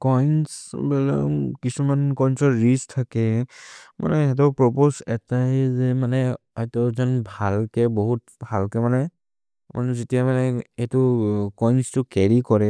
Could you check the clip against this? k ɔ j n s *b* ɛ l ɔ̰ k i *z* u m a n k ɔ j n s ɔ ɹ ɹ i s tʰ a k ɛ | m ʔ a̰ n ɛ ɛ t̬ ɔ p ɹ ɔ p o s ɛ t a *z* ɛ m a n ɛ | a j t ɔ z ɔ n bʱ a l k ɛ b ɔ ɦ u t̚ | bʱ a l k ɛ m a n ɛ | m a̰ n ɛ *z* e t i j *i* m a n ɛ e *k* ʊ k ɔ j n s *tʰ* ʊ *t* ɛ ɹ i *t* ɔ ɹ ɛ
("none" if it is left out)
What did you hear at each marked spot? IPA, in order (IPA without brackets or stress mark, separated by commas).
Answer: b, s, z, z, a, t, t, k, k